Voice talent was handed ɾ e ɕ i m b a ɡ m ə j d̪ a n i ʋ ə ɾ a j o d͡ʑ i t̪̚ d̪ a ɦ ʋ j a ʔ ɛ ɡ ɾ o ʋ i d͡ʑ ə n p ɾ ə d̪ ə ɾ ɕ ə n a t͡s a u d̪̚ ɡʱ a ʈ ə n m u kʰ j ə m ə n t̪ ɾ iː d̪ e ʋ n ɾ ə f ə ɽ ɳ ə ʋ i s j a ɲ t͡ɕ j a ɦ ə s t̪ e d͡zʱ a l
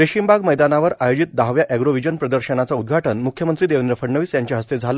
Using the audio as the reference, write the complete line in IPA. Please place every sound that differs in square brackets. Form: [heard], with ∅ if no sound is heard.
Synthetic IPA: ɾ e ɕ i m b a ɡ m ə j d̪ a n [a] ʋ ə ɾ a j o d͡ʑ i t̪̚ d̪ a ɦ ʋ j a ʔ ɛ ɡ ɾ o ʋ i d͡ʑ ə n p ɾ ə d̪ ə ɾ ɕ ə n a t͡s a u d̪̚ ɡʱ a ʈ ə n m u kʰ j ə m ə n t̪ ɾ iː d̪ e ʋ n ɾ ə f ə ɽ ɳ ə ʋ [iː] s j a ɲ t͡ɕ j a ɦ ə s t̪ e d͡zʱ a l